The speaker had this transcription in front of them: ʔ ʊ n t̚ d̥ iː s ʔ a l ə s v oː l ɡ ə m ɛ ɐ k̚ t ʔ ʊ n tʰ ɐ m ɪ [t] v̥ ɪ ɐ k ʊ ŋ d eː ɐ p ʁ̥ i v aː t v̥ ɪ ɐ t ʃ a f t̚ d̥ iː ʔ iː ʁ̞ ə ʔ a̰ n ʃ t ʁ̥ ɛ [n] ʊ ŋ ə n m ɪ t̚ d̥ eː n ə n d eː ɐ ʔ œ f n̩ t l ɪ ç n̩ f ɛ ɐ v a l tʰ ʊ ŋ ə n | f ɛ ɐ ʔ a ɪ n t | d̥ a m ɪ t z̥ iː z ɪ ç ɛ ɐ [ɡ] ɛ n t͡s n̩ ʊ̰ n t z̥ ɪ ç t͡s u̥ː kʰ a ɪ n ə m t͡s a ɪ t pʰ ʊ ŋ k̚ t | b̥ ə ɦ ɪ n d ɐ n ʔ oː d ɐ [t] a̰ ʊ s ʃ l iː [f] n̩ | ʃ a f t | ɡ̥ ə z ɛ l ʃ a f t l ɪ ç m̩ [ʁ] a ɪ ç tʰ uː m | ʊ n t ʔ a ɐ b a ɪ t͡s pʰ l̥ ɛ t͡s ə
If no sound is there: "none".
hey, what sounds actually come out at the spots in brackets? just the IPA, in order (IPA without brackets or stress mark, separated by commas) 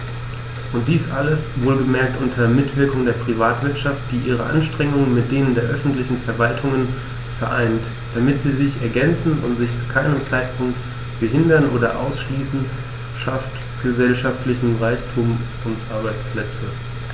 t, ŋ, ɡ, ʔ, s, ʁ